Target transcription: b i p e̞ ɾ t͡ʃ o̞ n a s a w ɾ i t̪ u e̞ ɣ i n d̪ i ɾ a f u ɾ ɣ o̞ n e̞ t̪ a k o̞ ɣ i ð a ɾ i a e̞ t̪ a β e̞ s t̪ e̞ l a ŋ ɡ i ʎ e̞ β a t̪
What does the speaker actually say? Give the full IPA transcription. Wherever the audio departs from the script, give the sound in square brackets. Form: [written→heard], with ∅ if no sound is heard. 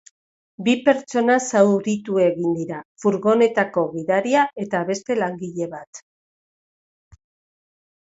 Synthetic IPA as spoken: b i p e̞ ɾ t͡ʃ o̞ n a s a w ɾ i t̪ u e̞ ɣ i n d̪ i ɾ a f u ɾ ɣ o̞ n e̞ t̪ a k o̞ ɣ i ð a ɾ i a e̞ t̪ a β e̞ s t̪ e̞ l a ŋ ɡ i ʎ e̞ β a t̪